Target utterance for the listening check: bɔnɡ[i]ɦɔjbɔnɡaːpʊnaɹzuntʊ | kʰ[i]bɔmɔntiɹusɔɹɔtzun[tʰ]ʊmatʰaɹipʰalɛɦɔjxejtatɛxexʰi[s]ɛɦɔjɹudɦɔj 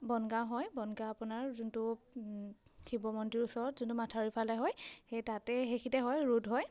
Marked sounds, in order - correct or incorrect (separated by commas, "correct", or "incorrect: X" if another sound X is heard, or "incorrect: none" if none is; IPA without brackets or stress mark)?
incorrect: a, correct, incorrect: t, incorrect: t